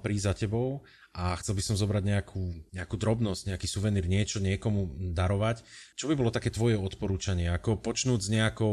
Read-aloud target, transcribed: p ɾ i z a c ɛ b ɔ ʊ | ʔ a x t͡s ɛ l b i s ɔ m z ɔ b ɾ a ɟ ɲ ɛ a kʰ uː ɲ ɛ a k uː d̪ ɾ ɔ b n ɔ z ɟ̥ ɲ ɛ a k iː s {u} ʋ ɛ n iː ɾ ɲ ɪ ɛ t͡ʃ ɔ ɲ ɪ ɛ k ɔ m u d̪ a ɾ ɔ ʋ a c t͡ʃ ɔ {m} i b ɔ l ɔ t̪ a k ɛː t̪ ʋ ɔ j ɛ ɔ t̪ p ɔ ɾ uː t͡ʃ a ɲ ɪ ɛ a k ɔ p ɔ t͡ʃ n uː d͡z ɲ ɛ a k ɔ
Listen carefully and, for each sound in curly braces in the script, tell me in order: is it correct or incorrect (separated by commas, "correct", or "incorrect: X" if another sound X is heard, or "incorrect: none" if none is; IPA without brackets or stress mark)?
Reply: correct, incorrect: b